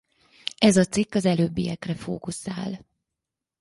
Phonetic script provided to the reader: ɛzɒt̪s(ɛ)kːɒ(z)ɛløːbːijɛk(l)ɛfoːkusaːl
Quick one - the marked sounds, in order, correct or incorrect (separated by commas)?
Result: incorrect, correct, incorrect